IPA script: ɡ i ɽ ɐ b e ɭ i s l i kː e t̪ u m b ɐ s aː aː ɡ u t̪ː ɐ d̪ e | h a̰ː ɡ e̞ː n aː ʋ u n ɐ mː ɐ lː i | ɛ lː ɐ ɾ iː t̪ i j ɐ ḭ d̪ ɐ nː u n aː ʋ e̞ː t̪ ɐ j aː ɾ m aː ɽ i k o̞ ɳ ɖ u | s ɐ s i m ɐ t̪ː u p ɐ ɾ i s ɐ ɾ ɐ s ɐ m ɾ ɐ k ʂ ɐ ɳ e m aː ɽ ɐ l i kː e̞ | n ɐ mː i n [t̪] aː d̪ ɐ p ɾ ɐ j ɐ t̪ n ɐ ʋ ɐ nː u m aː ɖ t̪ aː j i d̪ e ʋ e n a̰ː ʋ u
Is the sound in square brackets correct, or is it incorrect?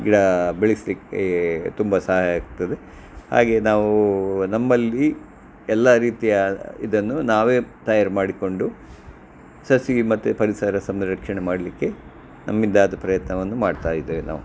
incorrect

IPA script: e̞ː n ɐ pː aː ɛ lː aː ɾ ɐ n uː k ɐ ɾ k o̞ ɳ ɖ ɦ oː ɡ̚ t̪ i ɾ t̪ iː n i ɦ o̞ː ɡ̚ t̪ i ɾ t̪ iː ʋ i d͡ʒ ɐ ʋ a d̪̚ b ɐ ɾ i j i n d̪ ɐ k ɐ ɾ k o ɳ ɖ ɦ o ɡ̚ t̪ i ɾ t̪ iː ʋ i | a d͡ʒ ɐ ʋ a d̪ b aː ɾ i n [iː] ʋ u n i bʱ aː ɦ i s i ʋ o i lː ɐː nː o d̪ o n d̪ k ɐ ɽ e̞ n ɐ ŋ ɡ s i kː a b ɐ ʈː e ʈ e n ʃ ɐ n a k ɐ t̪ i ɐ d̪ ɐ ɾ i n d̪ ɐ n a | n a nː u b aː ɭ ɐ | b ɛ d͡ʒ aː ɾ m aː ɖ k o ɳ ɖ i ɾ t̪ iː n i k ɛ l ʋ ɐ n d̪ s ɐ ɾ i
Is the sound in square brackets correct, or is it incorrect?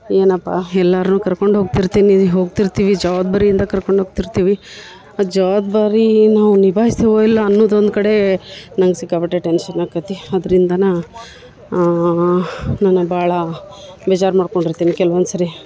incorrect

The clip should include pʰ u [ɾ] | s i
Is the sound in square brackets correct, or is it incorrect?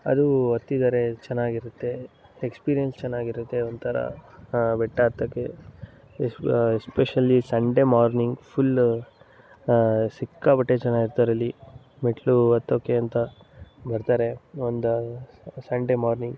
incorrect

